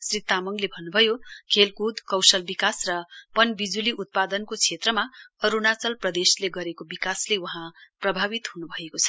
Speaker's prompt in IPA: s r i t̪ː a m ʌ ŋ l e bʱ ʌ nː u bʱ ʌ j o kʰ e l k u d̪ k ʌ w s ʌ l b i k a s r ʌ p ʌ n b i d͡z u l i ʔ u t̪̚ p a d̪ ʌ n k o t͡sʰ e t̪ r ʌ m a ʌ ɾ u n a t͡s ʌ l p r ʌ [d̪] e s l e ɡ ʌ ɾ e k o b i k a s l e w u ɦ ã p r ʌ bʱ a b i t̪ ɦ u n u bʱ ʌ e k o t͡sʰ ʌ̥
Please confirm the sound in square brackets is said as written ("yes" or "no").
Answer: yes